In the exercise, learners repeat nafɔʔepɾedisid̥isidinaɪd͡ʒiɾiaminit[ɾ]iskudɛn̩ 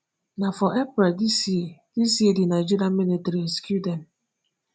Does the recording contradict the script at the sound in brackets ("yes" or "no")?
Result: no